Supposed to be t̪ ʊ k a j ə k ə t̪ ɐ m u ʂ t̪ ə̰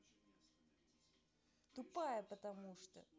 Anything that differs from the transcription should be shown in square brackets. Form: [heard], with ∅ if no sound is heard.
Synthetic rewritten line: t̪ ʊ [p] a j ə [p] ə t̪ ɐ m u ʂ t̪ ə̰